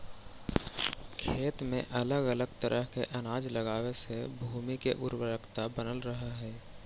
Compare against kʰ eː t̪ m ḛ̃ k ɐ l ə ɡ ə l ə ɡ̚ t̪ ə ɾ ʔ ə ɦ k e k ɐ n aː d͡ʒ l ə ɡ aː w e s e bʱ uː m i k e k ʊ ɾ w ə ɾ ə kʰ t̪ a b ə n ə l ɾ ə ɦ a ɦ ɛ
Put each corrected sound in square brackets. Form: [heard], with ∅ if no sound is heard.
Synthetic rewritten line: kʰ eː t̪ m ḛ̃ [ʔ] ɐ l ə ɡ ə l ə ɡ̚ t̪ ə ɾ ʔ ə ɦ k e [ʔ] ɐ n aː d͡ʒ l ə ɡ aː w e s e bʱ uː m i k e [ʔ] ʊ ɾ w ə ɾ ə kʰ t̪ a b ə n ə l ɾ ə ɦ a ɦ [ɛː]